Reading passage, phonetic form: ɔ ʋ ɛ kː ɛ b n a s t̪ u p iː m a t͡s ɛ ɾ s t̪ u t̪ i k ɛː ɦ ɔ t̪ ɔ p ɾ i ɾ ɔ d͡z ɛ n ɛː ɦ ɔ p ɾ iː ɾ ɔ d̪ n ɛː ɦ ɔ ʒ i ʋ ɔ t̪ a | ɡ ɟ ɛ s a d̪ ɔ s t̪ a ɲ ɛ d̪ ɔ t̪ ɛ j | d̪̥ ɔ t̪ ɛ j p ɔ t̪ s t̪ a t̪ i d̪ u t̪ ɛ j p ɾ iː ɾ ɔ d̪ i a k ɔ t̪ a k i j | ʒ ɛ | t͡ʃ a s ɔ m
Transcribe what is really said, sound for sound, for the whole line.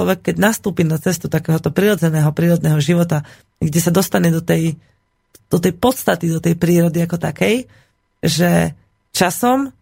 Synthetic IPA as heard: ɔ ʋ ɛ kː ɛ ɟ n a s t̪ uː p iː n a t͡s ɛ s t̪ u t̪ a k ɛː ɦ ɔ t̪ ɔ p ɾ i ɾ ɔ d͡z ɛ n ɛː ɦ ɔ p ɾ iː ɾ ɔ d̪ n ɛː ɦ ɔ ʒ i ʋ ɔ t̪ a | ɡ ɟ ɛ s a d̪ ɔ s t̪ a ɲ ɛ d̪ ɔ t̪ ɛ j | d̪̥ ɔ t̪ ɛ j p ɔ t̪ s t̪ a t̪ i d̪ ɔ t̪ ɛ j p ɾ iː ɾ ɔ d̪ i a k ɔ t̪ a k ɛ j | ʒ ɛ | t͡ʃ a s ɔ m